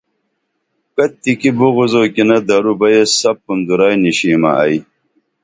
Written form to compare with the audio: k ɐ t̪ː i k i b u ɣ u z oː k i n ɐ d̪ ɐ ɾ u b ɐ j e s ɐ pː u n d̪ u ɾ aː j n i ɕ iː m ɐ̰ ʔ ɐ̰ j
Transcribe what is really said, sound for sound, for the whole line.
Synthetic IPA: k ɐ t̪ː i k i b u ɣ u z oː k i n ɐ d̪ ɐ ɾ u b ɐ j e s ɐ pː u n d̪ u ɾ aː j n i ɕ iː m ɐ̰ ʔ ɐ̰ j

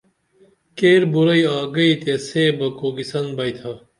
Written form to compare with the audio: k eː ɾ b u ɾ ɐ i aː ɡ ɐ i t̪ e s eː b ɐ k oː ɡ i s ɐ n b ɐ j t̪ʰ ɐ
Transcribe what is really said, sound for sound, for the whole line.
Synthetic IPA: k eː ɾ b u ɾ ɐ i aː ɡ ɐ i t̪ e s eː b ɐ k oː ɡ i s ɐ n b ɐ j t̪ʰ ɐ

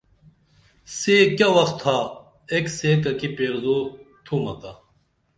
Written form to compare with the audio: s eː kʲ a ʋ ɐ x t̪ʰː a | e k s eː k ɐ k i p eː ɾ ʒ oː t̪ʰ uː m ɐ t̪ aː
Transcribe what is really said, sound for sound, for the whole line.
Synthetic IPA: s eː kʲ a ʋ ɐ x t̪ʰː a | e k s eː k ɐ k i p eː ɾ z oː t̪ʰ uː m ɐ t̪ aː

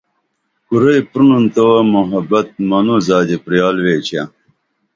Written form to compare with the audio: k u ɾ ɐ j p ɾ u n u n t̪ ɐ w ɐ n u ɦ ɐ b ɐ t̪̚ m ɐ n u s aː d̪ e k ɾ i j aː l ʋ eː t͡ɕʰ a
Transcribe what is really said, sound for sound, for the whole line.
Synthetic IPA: k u ɾ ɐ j p ɾ u n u n t̪ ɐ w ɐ m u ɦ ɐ b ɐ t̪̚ m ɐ n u z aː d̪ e p ɾ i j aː l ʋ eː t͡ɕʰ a

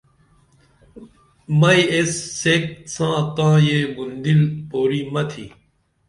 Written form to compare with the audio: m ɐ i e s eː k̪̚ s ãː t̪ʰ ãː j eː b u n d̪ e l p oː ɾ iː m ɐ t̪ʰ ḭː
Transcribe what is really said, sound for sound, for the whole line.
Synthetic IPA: m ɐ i e sː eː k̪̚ s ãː t̪ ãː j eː b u n d̪ i l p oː ɾ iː m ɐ t̪ʰ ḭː

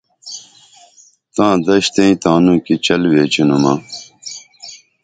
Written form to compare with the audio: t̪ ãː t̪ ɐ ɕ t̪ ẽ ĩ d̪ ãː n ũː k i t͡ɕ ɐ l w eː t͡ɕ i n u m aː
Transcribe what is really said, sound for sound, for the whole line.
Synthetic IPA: t̪ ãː d̪ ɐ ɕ t̪ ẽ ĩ t̪ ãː n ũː k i t͡ɕ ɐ l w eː t͡ɕ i n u m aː

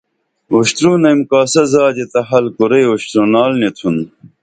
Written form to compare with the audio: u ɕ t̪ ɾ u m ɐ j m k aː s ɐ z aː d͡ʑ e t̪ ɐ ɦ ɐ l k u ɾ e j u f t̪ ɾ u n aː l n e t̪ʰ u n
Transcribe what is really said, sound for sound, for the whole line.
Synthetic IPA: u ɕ t̪ ɾ u n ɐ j m k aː s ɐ z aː d͡ʑ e t̪ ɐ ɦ ɐ l k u ɾ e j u ɕ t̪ ɾ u n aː l n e t̪ʰ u n

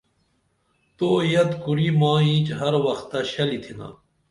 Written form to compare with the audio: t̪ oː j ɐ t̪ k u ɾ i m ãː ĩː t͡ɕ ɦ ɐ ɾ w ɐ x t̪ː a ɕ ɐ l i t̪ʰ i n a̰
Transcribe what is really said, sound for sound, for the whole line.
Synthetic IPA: t̪ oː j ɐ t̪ k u ɾ i m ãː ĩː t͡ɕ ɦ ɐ ɾ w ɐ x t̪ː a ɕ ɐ l i t̪ʰ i n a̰

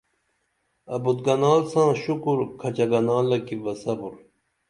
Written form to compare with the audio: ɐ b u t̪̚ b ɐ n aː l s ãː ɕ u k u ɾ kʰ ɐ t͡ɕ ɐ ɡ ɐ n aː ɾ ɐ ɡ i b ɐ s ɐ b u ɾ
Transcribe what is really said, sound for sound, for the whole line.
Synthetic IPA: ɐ b u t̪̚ ɡ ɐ n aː l s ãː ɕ u k u ɾ kʰ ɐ t͡ɕ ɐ ɡ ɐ n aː l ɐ k i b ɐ s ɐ b u ɾ

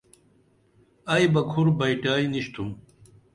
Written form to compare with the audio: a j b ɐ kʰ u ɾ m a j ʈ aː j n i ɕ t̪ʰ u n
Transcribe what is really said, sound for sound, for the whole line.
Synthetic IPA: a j b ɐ kʰ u ɾ b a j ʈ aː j n i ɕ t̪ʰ u m

